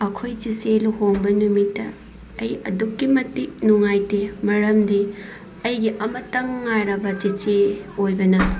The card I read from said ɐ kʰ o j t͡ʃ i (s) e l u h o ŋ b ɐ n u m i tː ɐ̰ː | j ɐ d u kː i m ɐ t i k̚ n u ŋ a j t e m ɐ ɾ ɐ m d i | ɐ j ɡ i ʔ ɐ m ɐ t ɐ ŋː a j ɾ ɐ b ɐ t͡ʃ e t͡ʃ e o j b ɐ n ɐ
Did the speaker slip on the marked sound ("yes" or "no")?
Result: no